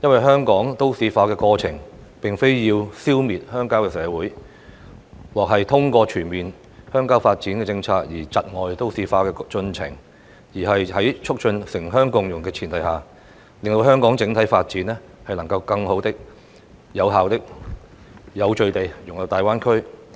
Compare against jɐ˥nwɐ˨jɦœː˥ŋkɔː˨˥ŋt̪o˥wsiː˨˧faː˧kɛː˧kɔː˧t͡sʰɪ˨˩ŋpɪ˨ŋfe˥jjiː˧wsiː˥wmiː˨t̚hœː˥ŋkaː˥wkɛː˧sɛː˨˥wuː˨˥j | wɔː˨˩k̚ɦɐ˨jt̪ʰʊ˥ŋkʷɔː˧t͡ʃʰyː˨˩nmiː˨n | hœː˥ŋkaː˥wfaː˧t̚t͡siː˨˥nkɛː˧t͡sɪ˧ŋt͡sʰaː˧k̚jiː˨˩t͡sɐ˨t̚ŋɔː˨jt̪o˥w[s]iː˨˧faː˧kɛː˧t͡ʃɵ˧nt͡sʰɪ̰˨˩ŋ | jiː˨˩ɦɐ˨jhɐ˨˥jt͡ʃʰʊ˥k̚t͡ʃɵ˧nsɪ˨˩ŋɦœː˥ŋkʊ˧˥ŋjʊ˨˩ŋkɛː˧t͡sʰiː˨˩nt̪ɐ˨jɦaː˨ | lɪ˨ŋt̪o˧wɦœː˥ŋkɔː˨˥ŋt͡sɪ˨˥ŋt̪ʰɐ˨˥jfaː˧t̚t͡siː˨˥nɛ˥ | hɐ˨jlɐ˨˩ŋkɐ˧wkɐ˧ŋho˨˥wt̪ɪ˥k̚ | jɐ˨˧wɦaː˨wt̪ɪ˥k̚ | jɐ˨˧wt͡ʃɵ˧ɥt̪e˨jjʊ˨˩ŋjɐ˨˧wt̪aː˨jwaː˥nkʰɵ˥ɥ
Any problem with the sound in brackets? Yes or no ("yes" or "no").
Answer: no